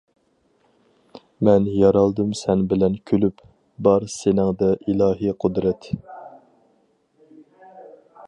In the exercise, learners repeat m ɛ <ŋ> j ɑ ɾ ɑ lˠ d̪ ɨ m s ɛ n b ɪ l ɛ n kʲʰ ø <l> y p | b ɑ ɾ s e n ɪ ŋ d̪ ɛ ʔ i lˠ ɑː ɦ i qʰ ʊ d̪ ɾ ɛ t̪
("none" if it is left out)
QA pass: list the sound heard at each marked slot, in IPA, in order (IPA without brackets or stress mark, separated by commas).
n, l